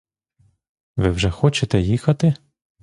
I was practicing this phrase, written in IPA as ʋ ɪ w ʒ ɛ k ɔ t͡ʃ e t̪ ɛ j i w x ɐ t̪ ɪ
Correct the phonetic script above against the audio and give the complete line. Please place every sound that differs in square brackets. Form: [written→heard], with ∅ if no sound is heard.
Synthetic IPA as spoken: ʋ ɪ w ʒ ɛ [k→x] ɔ t͡ʃ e t̪ ɛ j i [w→∅] x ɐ t̪ ɪ